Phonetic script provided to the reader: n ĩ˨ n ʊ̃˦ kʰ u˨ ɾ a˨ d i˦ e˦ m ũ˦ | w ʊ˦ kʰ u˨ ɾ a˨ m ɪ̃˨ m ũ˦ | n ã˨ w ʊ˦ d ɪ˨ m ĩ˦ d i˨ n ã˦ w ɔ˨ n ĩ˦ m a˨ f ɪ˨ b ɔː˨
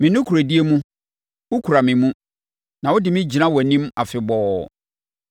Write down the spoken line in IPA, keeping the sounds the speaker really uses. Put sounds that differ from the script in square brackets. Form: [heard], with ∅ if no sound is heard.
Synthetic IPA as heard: [m] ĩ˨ n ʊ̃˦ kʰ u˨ ɾ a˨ d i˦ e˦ m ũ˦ | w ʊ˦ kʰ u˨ ɾ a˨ m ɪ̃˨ m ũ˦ | n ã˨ w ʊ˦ d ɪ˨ m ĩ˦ [d͡ʑ] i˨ n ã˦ w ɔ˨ n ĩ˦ m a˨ f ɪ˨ b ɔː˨